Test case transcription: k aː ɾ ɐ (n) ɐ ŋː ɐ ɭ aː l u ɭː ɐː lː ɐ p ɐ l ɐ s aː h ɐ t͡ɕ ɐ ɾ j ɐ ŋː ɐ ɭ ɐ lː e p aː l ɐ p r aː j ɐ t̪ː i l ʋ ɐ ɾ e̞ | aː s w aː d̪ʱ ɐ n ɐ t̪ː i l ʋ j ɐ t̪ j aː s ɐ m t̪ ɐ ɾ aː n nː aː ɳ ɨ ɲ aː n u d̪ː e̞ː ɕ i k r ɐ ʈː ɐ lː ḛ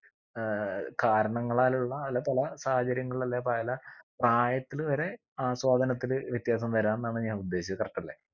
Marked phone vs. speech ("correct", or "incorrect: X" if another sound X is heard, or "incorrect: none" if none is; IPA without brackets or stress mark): incorrect: ɳ